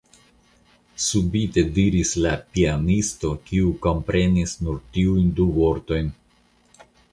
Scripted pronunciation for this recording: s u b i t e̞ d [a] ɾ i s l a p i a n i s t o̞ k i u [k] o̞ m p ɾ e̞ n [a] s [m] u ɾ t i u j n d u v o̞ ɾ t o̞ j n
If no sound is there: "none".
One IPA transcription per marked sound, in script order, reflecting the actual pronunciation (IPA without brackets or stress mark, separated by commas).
i, k, i, n